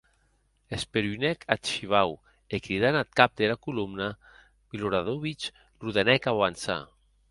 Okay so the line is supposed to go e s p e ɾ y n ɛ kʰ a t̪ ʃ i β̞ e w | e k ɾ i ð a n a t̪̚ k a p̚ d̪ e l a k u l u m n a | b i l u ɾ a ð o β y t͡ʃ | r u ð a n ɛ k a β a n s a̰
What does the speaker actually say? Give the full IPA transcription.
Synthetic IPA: e s p e ɾ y n ɛ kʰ a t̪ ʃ i β̞ a w | e k ɾ i ð a n a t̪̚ k a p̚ d̪ e l a k u l u m n a | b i l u ɾ a ð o β i t͡ʃ | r u ð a n ɛ k a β a n s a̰

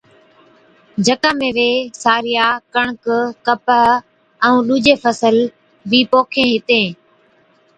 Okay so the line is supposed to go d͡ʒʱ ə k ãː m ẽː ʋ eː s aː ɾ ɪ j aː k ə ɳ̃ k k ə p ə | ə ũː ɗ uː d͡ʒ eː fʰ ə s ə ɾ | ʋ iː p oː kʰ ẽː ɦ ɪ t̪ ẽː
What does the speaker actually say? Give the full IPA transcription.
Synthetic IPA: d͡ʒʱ ə k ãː m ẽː ʋ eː s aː ɾ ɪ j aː k ə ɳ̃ k k ə p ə | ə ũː ɗ uː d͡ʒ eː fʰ ə s ə l | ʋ iː p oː kʰ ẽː ɦ ɪ t̪ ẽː

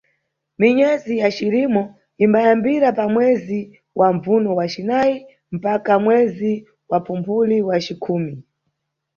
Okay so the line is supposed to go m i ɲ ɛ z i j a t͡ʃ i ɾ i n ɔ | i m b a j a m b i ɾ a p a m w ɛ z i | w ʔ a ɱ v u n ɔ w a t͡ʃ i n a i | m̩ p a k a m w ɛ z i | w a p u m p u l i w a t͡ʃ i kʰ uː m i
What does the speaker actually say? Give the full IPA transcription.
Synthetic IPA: m i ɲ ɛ z i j a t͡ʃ i ɾ i m ɔ | i m b a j a m b i ɾ a p a m w ɛ z i | w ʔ a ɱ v u n ɔ w a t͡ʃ i n a i | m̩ p a k a m w ɛ z i | w a p u m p u l i w a t͡ʃ i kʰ uː m i

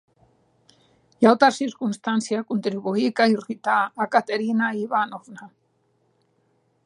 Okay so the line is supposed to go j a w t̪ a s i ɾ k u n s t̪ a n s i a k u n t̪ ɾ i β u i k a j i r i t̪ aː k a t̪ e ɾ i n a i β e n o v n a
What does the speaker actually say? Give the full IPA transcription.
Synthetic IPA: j a w t̪ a s i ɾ k u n s t̪ a n s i a k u n t̪ ɾ i β u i k a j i r i t̪ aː k a t̪ e ɾ i n a i β a n o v n a

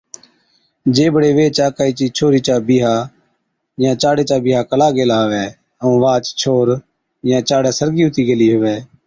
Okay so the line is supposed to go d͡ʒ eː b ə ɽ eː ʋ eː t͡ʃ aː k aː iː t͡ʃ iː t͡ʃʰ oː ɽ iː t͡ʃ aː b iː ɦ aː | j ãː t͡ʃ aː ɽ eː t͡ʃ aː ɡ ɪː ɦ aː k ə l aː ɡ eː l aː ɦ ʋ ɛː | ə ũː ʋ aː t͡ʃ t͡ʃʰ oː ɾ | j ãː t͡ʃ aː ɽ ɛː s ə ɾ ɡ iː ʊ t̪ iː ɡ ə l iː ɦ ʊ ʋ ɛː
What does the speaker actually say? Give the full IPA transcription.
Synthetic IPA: d͡ʒ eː b ə ɽ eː ʋ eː t͡ʃ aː k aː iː t͡ʃ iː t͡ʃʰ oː ɾ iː t͡ʃ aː b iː ɦ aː | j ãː t͡ʃ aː ɽ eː t͡ʃ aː b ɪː ɦ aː k ə l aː ɡ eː l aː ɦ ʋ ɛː | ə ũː ʋ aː t͡ʃ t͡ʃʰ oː ɾ | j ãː t͡ʃ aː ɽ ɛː s ə ɾ ɡ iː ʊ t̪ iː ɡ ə l iː ɦ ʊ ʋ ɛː

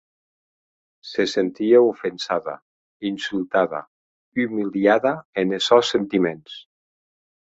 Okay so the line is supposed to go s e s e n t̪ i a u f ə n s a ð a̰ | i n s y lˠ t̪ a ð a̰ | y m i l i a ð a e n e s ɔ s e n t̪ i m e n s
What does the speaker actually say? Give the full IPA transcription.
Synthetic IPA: s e s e n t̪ i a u f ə n s a ð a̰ | i n s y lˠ t̪ a ð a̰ | y m i l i a ð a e n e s ɔ s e n t̪ i m e n s

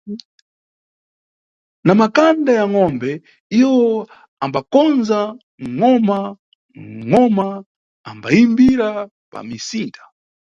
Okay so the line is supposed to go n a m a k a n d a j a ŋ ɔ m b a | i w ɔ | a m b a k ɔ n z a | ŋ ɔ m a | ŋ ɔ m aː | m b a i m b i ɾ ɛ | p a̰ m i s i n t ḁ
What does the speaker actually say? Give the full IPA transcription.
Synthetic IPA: n a m a k a n d a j a ŋ ɔ m b ɛ | i w ɔ | a m b a k ɔ n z a | ŋ ɔ m a | ŋ ɔ m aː | m b a i m b i ɾ a | p a̰ m i s i n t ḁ

